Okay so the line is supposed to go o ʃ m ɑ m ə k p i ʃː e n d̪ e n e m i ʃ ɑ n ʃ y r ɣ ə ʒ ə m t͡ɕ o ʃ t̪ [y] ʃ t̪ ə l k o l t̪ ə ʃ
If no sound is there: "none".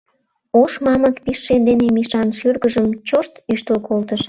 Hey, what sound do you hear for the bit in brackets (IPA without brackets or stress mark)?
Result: y